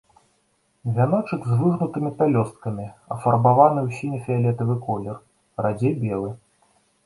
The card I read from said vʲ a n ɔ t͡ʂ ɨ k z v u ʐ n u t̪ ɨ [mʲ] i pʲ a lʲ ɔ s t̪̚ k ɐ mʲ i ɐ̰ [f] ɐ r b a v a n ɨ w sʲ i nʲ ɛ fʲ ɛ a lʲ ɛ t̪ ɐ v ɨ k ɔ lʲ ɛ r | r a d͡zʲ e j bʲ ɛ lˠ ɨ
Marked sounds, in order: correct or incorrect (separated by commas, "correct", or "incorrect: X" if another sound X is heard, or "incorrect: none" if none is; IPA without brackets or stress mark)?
correct, correct